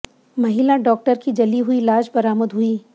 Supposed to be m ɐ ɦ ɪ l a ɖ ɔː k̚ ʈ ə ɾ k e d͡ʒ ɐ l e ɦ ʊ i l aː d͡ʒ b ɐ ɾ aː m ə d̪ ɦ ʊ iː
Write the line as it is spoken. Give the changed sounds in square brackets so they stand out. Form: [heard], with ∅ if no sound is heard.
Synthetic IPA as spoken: m ɐ ɦ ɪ l a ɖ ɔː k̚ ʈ ə ɾ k [i] d͡ʒ ɐ l [i] ɦ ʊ i l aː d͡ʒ b ɐ ɾ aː m ə d̪ ɦ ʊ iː